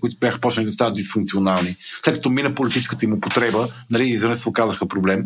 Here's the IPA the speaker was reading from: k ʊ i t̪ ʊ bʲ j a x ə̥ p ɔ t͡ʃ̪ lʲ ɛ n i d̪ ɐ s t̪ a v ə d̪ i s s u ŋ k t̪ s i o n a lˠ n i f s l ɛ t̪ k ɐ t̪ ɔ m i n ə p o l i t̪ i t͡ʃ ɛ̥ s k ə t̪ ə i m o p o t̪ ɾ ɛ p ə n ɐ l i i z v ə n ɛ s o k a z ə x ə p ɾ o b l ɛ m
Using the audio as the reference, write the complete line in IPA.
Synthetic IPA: k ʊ i t̪ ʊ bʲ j a x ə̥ p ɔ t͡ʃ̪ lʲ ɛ n i d̪ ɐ s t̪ a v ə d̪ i s f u ŋ k t̪ s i o n a lˠ n i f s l ɛ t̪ k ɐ t̪ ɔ m i n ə p o l i t̪ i t͡ʃ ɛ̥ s k ə t̪ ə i m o p o t̪ ɾ ɛ b ə n ɐ l i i z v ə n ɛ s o k a z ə x ə p ɾ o b l ɛ m